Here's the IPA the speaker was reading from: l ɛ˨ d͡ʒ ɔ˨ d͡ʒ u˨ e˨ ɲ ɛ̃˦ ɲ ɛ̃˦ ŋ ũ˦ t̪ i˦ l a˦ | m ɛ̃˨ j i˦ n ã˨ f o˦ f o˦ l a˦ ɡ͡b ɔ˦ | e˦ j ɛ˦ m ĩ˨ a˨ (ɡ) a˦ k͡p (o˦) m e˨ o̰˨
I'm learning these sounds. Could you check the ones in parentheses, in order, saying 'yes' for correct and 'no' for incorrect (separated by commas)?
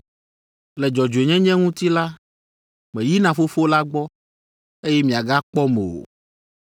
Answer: yes, no